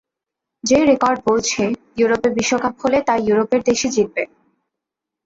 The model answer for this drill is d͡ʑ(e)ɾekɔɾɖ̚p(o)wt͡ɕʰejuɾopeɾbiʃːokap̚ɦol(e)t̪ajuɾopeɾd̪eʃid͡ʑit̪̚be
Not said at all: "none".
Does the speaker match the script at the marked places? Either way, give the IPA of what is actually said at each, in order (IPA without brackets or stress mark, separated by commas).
e, o, e